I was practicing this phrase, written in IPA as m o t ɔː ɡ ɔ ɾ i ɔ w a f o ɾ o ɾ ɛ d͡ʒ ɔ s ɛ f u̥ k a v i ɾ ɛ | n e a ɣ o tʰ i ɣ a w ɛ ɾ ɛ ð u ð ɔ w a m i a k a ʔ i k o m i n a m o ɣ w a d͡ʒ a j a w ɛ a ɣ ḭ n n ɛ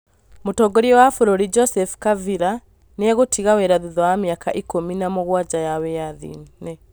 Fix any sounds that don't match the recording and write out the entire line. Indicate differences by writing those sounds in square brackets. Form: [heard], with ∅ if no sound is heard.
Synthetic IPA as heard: m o t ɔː ɡ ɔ ɾ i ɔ w a f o ɾ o ɾ [i] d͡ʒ ɔ s ɛ f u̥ k a v i ɾ [a] | n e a ɣ o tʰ i ɣ a w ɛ ɾ [a] ð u ð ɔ w a m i a k a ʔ i k o m i n a m o ɣ w a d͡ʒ a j a w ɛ a [ð] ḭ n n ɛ